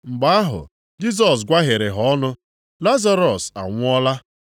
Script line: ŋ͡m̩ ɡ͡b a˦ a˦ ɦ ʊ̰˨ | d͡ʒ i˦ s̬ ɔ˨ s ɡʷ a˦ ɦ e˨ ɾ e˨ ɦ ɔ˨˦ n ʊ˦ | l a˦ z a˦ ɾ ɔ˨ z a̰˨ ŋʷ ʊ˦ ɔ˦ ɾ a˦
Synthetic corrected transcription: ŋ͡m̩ ɡ͡b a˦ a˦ ɦ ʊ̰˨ | d͡ʒ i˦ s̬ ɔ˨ s ɡʷ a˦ ɦ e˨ ɾ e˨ ɦ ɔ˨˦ n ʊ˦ | l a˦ z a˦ ɾ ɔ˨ s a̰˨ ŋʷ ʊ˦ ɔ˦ l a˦